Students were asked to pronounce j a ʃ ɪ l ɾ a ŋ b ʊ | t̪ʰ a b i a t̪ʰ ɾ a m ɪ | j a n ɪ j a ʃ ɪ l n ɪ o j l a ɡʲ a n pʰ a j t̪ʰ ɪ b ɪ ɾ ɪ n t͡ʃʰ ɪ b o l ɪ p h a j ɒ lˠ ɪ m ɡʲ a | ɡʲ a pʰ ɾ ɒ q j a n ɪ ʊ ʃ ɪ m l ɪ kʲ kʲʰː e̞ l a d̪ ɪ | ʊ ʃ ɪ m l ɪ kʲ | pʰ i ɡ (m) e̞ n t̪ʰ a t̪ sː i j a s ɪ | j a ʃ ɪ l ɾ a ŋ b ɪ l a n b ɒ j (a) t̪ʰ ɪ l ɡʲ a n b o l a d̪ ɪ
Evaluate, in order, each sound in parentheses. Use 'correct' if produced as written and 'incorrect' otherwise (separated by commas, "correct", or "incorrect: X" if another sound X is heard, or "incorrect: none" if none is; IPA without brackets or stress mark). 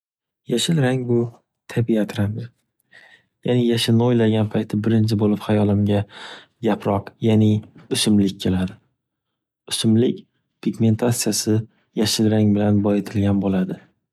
correct, incorrect: e